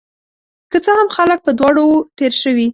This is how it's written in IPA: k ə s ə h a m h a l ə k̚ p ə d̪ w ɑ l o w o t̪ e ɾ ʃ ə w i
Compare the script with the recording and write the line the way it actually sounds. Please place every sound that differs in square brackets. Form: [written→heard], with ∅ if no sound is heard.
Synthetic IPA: k ə [s→t͡s] ə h a m [h→x] a l ə k̚ p ə d̪ w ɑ [l→ɽ] o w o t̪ e ɾ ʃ ə w i